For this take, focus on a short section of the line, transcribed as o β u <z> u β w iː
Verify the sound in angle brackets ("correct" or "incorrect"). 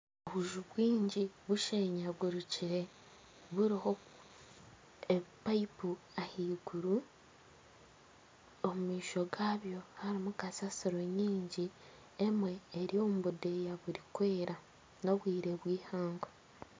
incorrect